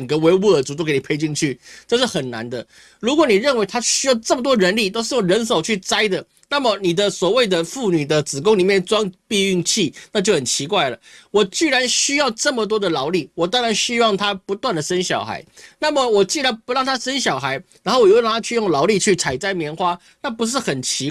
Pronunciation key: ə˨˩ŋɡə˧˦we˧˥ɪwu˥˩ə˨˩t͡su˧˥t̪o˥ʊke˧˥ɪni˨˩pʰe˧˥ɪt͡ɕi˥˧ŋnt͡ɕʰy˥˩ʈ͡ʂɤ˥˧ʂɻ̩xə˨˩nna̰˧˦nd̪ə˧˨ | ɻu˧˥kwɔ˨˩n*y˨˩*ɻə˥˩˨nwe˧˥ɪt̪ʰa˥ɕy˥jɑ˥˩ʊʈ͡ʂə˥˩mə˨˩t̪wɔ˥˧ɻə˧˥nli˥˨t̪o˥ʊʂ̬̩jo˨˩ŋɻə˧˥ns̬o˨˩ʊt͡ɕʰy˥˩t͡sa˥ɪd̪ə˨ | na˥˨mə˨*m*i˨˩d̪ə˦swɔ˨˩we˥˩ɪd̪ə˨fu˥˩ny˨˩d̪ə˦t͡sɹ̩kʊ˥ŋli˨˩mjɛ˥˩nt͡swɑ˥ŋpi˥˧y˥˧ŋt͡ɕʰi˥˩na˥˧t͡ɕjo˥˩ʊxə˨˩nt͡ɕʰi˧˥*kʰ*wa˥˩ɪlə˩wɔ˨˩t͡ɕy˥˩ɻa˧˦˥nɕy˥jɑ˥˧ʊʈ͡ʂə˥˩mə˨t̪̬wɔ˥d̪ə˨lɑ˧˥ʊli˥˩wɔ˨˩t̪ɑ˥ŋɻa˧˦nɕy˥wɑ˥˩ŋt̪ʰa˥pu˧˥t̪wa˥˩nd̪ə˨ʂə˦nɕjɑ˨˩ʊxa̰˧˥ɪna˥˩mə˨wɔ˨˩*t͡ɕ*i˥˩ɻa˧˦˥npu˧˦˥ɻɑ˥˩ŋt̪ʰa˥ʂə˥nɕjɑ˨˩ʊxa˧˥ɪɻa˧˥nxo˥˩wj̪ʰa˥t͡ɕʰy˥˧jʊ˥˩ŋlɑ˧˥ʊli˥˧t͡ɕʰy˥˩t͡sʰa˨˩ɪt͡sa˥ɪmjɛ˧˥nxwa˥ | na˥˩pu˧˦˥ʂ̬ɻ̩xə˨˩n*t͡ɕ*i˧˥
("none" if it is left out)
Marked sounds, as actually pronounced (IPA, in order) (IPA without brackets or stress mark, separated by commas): i˨˩, n, k, t͡ɕ, t͡ɕʰ